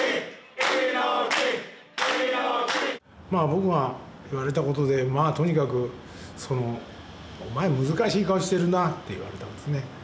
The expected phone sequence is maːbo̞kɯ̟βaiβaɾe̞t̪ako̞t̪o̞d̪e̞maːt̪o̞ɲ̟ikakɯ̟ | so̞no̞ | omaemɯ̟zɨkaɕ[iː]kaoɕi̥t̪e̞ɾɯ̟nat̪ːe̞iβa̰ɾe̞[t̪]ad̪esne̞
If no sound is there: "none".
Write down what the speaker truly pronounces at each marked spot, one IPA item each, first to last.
iː, t̪

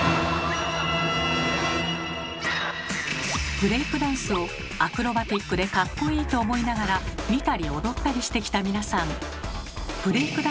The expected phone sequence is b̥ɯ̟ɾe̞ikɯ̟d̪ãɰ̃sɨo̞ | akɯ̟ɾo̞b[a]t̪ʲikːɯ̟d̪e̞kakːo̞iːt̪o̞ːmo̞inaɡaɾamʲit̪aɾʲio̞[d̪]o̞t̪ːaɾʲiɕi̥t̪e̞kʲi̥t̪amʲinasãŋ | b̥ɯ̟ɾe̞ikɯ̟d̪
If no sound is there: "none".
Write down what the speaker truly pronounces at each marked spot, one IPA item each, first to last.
a, d̪

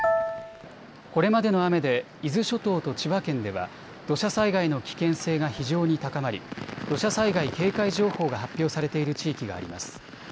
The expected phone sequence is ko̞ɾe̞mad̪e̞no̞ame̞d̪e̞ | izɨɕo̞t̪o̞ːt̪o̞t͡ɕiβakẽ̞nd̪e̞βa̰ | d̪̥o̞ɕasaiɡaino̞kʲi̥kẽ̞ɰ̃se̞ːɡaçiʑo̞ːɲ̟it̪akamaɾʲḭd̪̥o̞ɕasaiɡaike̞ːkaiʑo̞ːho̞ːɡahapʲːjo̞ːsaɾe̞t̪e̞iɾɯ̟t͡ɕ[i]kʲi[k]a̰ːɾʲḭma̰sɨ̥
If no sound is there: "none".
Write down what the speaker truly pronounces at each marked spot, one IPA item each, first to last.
iː, ɡ

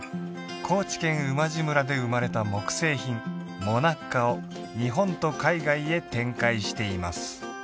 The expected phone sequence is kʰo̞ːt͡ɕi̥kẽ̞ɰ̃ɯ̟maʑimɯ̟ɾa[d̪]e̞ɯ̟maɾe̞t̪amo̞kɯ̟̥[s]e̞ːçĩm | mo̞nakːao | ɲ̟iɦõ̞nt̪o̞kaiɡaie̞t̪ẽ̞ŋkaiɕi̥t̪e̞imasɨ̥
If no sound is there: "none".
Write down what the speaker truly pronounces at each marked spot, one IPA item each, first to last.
d̪, s

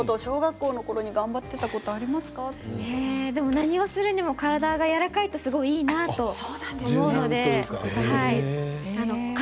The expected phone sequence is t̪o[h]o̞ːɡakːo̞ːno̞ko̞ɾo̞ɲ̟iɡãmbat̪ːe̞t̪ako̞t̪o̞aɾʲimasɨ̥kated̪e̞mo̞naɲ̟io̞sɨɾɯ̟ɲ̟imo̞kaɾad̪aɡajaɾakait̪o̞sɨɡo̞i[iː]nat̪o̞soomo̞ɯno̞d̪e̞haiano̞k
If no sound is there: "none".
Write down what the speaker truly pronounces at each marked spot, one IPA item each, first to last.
ɕ, iː

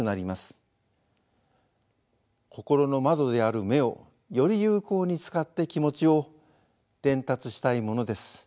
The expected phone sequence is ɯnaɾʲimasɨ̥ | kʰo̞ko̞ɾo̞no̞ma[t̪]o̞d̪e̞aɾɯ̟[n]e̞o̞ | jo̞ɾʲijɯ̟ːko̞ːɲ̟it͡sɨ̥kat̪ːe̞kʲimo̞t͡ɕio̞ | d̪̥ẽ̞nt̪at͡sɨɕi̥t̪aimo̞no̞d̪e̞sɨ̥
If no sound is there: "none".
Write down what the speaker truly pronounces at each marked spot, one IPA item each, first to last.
d̪, m

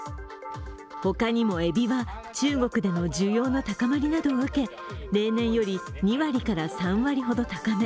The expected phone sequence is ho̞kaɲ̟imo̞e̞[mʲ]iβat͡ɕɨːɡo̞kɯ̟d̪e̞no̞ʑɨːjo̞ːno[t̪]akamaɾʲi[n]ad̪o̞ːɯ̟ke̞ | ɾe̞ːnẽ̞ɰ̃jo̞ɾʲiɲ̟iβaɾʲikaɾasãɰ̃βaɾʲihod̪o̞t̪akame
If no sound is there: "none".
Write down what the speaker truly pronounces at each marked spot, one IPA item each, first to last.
bʲ, t̪, n

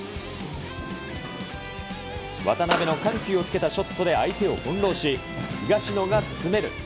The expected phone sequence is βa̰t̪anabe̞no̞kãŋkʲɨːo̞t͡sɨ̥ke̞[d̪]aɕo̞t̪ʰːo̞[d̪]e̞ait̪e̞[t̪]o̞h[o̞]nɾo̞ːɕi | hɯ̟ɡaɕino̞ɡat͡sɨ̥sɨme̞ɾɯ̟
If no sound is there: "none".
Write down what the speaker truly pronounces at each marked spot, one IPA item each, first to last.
t̪, d̪, none, õ̞

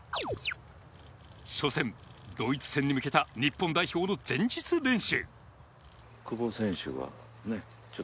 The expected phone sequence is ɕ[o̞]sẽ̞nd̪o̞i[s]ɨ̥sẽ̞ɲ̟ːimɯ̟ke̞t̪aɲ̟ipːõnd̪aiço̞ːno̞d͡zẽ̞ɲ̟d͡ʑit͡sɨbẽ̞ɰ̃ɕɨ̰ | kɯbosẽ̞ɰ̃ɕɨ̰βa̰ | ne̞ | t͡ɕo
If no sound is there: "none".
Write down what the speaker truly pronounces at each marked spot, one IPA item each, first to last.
o̞, t͡s

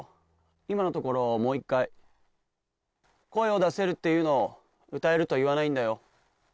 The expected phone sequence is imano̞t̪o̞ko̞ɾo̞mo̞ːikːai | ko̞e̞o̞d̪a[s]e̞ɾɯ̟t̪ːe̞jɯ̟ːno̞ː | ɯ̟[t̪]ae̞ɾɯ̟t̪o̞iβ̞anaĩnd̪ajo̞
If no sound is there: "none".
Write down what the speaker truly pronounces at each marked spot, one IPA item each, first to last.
s, t̪

